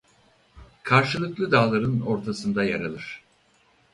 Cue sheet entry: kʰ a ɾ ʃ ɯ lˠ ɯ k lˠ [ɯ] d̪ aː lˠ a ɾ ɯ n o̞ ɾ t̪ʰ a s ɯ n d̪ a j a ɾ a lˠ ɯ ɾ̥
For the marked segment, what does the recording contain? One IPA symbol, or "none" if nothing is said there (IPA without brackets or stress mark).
ɯ